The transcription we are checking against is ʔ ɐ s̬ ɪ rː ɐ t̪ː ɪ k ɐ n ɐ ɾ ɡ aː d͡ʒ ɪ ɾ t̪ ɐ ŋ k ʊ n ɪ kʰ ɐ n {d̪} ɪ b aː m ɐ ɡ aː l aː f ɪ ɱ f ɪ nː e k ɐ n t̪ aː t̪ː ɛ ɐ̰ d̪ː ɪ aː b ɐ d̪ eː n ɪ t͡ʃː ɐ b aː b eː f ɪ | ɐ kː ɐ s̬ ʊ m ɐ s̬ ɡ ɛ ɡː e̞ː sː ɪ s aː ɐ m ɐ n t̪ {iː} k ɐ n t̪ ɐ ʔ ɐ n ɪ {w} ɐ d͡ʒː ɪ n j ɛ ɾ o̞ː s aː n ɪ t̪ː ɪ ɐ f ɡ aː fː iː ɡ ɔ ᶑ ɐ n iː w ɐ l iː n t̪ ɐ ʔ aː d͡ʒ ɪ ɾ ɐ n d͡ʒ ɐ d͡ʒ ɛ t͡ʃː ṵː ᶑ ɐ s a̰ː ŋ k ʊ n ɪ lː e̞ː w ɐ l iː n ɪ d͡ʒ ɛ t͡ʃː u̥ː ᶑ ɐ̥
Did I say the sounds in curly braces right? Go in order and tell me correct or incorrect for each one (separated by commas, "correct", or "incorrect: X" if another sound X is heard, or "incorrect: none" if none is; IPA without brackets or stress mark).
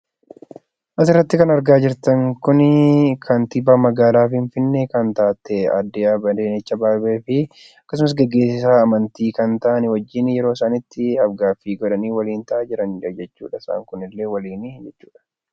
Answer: incorrect: t̪, correct, correct